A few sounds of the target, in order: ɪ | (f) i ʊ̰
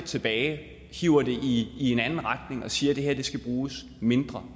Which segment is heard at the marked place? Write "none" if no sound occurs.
h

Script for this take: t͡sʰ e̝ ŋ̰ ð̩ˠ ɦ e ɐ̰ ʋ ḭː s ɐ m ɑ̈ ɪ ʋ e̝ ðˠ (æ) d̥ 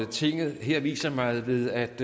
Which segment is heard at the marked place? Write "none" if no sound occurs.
æ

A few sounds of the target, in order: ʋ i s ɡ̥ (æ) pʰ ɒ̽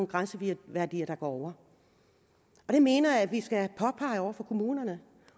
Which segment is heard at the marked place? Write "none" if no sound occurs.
æ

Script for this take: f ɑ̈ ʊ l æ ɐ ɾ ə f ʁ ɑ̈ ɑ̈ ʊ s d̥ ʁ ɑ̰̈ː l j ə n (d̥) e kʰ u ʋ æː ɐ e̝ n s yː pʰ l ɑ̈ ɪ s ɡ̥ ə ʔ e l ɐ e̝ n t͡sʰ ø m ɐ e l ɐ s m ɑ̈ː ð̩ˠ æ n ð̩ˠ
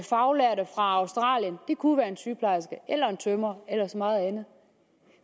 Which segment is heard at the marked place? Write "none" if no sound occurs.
d̥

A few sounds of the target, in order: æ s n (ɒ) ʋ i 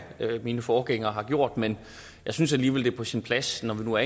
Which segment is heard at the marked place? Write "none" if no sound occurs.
ɒ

